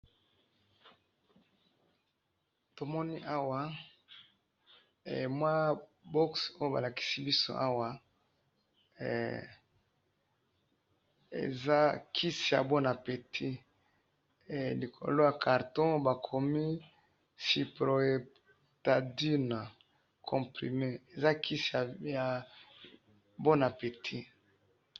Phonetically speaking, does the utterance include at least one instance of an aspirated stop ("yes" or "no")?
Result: yes